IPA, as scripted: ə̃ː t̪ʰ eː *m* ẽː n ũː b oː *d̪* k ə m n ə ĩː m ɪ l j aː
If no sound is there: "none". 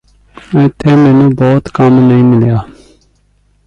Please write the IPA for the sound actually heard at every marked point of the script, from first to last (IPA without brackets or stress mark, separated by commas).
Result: m, t̪